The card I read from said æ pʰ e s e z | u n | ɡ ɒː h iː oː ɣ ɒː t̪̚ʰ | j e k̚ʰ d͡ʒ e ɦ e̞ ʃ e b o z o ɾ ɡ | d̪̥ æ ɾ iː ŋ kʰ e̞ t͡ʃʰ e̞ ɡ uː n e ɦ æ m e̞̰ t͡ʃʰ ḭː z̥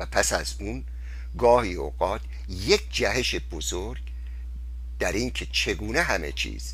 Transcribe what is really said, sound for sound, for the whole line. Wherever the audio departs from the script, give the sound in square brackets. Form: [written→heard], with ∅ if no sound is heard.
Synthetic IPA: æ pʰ [e→æ] s [e→æ] z | u n | ɡ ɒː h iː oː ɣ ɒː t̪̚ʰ | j e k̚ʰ d͡ʒ [e→æ] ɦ e̞ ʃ e b o z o ɾ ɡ | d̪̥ æ ɾ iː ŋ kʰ e̞ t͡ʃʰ e̞ ɡ uː n e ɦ æ m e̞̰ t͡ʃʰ ḭː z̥